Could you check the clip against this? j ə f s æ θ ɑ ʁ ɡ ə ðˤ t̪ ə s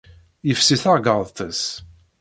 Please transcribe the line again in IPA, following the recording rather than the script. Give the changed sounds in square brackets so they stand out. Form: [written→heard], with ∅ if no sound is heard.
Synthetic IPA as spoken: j ə f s [æ→i] θ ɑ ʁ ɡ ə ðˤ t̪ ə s